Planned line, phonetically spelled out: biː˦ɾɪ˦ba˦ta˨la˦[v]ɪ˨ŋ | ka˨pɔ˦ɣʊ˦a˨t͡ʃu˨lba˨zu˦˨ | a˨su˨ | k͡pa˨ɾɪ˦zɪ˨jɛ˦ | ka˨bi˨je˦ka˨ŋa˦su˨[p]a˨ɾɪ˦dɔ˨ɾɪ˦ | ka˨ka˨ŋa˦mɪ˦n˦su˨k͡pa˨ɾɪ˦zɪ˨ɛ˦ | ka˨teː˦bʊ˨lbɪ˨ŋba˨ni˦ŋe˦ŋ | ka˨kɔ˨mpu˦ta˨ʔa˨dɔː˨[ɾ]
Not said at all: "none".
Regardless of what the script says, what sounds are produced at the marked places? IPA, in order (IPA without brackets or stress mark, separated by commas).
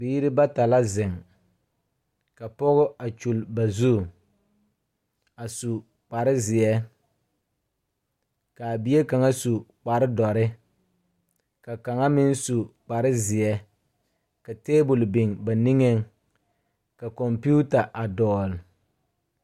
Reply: z, k͡p, l